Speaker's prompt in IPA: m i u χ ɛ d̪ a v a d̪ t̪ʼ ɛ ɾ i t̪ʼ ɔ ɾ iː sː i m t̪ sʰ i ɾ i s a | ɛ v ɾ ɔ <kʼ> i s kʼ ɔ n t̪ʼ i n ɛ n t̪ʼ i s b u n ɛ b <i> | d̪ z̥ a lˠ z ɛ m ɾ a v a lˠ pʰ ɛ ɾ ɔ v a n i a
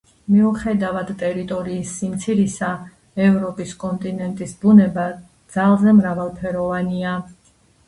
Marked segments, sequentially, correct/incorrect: incorrect: pʼ, incorrect: a

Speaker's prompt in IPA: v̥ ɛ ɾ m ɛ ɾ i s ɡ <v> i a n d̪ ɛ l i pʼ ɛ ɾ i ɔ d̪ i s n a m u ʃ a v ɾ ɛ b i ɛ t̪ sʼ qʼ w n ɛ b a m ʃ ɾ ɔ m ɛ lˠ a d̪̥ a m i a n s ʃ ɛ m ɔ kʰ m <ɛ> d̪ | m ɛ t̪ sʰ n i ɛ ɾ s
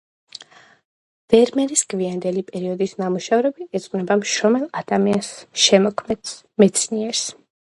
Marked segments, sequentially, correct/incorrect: correct, correct

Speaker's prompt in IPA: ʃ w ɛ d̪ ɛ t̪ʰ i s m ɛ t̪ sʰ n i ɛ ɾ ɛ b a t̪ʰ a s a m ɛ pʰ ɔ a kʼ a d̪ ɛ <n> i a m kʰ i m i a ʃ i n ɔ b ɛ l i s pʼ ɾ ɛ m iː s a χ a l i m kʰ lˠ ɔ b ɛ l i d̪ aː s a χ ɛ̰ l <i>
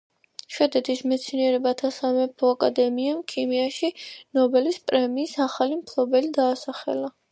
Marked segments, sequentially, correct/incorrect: incorrect: m, incorrect: a

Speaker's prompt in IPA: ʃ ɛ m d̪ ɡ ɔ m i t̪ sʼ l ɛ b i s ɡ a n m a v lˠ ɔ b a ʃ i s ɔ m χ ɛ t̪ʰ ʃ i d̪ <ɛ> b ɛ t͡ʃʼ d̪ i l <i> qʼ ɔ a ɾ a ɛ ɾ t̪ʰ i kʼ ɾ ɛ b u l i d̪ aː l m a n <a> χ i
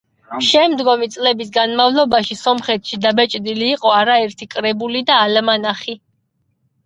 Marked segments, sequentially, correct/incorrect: incorrect: a, incorrect: iː, correct

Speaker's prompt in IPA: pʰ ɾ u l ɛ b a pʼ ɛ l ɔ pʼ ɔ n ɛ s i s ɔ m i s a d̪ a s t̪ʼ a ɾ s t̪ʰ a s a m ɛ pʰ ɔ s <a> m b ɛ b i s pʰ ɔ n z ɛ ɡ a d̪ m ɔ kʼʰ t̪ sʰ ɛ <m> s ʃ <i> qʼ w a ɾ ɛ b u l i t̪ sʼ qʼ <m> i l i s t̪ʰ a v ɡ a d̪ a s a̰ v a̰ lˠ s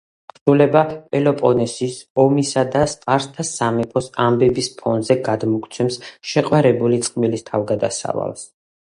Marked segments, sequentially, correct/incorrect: correct, correct, incorrect: ɛ, correct

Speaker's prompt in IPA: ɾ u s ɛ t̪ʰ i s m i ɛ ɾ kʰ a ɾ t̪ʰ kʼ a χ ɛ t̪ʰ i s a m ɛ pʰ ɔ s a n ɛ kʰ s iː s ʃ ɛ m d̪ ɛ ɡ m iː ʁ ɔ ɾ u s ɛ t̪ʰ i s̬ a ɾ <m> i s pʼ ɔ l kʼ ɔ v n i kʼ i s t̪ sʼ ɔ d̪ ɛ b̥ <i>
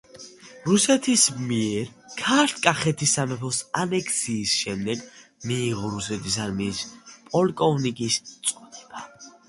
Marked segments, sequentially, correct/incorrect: correct, incorrect: a

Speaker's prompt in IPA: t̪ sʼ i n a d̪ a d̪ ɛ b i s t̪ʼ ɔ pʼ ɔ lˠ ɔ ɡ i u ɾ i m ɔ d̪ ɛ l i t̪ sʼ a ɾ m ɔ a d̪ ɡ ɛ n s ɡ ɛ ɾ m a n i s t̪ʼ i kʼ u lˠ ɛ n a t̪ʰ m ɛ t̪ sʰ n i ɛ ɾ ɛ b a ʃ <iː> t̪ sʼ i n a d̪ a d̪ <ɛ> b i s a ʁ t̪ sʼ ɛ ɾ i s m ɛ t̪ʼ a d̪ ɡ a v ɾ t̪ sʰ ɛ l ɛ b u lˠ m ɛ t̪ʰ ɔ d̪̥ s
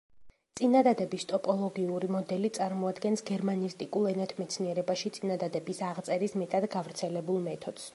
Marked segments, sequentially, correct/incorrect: incorrect: i, correct

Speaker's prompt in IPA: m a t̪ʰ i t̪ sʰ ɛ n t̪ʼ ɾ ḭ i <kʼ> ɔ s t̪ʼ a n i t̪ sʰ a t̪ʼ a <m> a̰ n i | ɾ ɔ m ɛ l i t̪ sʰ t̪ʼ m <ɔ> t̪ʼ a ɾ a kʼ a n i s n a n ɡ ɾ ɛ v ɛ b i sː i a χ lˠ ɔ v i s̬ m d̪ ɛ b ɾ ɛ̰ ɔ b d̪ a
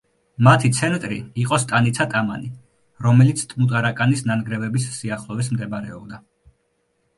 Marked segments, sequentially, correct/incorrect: incorrect: qʼ, correct, incorrect: u

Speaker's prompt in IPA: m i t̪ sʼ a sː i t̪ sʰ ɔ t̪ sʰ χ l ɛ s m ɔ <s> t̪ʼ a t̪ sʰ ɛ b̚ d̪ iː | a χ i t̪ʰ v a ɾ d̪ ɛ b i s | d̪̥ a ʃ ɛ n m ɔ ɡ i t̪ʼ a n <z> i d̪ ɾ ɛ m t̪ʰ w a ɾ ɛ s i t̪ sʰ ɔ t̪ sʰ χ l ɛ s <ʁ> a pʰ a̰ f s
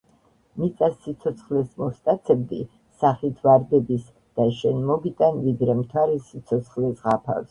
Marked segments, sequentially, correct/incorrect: correct, incorrect: v, correct

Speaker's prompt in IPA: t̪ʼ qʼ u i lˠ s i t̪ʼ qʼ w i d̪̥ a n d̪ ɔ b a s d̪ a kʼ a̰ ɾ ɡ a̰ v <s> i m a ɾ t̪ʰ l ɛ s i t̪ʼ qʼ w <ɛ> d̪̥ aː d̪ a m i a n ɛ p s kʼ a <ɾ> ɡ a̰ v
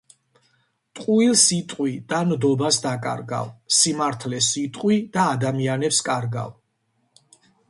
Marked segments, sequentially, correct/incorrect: correct, incorrect: i, correct

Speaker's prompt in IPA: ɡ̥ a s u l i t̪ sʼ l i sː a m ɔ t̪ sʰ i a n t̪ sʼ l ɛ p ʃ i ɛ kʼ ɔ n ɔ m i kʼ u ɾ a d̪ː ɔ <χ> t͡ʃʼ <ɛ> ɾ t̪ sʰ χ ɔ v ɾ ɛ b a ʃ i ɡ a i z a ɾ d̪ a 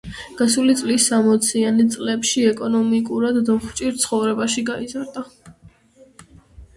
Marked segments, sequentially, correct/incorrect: correct, incorrect: i

